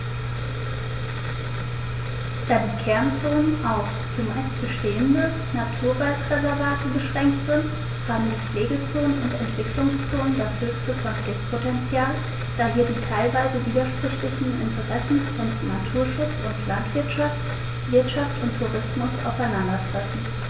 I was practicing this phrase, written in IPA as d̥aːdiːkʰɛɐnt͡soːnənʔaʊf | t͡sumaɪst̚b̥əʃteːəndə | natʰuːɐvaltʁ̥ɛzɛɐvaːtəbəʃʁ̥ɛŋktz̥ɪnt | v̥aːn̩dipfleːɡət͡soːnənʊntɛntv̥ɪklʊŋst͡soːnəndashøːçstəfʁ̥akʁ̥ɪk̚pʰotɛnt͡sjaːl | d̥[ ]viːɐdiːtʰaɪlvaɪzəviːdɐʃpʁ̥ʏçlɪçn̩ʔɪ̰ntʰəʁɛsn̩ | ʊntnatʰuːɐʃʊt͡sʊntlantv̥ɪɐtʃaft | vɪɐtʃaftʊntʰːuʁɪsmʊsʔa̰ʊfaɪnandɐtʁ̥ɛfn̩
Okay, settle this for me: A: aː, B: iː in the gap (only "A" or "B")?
A